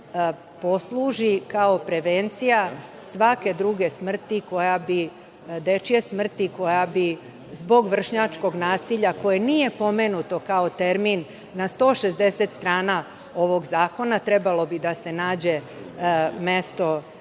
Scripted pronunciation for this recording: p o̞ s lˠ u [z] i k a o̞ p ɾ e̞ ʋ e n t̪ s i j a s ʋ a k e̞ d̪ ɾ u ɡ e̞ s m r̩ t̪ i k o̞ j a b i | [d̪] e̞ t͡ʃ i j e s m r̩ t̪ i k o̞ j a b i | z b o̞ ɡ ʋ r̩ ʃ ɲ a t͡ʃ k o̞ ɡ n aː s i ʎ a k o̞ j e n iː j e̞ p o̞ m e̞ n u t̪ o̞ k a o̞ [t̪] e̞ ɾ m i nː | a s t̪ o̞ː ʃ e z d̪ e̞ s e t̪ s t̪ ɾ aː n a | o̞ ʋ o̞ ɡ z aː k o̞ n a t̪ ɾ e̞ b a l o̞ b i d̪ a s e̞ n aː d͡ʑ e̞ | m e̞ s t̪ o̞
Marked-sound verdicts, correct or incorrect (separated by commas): incorrect, correct, correct